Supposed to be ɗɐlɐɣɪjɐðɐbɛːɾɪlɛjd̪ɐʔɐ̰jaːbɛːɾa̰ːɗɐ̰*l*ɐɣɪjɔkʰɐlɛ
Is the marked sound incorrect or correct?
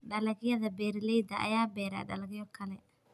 correct